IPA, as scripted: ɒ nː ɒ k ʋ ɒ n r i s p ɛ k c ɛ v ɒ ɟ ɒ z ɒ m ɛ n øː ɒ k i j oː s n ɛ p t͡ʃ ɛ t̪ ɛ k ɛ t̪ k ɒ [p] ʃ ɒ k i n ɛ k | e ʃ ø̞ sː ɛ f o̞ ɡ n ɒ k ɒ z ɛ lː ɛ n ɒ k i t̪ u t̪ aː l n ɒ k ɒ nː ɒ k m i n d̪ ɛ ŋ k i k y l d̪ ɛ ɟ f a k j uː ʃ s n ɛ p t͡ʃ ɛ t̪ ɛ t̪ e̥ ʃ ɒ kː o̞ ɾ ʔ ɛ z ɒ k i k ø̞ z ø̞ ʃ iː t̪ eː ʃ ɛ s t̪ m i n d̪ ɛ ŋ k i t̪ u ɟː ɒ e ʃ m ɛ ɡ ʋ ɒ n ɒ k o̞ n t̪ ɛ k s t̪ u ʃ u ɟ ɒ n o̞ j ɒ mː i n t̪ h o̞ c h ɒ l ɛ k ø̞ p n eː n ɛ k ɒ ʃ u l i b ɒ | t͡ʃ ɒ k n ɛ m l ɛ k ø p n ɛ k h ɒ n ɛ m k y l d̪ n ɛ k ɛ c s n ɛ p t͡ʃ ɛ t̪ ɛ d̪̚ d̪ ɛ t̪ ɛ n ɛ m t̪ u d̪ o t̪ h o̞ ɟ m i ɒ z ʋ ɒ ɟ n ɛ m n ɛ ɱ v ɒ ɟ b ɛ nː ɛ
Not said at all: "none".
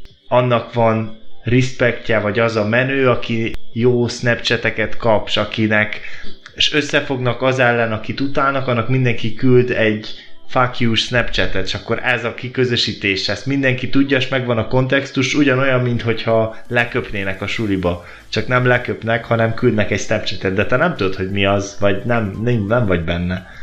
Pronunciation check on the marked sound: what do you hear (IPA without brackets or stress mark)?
p